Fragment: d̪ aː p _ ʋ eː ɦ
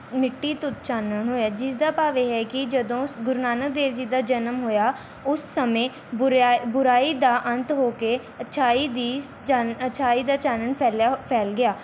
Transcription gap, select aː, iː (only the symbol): aː